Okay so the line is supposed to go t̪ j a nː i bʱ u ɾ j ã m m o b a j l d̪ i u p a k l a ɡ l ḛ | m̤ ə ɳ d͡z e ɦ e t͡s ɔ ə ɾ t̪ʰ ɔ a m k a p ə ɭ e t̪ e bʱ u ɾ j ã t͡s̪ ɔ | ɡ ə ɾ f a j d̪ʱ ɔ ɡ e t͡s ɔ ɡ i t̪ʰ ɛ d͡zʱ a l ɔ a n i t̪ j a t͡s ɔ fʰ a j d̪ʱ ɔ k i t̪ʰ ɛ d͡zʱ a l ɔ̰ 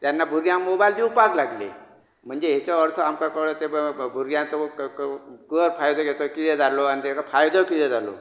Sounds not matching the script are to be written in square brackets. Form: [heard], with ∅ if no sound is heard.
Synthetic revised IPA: t̪ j a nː [a] bʱ u ɾ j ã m m o b a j l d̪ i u p a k l a ɡ l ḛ | m̤ ə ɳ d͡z e ɦ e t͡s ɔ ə ɾ t̪ʰ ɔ a m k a [k] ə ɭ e t̪ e bʱ u ɾ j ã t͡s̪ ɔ | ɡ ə ɾ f a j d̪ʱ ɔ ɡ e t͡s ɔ [k] i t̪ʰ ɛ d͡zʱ a l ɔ a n i t̪ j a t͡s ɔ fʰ a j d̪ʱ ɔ k i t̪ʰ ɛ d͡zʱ a l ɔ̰